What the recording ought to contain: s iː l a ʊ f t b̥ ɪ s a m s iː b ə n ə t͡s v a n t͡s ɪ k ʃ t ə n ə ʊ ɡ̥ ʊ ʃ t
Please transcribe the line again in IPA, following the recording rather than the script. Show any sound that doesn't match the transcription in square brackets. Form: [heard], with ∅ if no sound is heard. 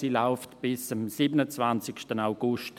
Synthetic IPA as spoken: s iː l a ʊ f t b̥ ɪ s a m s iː b ə n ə t͡s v a n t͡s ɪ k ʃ t ə n [a] ʊ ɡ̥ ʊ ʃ t